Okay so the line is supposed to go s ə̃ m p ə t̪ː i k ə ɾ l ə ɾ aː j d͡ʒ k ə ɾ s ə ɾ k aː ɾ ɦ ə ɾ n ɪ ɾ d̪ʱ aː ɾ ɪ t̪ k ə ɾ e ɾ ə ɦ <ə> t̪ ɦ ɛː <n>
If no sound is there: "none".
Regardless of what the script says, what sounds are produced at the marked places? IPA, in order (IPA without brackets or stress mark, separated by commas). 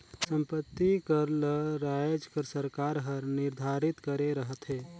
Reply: ə, none